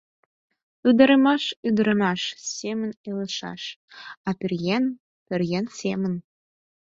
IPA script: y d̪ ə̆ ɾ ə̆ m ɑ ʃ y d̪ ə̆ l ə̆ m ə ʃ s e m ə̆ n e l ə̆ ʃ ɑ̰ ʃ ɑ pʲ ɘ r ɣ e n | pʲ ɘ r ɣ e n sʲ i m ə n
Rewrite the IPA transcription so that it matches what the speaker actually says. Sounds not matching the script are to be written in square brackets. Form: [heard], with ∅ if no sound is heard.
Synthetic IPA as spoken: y d̪ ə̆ ɾ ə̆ m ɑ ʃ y d̪ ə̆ [ɾ] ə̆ m [ɑ] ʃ s e m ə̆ n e l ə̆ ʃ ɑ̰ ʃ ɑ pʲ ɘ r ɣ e n | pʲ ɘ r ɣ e n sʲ [e] m ə n